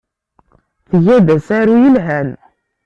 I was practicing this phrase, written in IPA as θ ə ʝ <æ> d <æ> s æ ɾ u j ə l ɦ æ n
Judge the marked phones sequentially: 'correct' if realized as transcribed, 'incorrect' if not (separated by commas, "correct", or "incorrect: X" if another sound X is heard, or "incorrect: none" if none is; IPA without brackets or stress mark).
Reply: correct, correct